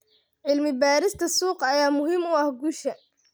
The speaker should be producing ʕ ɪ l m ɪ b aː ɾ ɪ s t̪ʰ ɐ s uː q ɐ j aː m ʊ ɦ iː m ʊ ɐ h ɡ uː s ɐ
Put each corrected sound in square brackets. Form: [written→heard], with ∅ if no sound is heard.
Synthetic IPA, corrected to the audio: ʕ ɪ l m ɪ b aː ɾ ɪ s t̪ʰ ɐ s uː q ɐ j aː m ʊ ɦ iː m ʊ ɐ h ɡ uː [s→ʃ] ɐ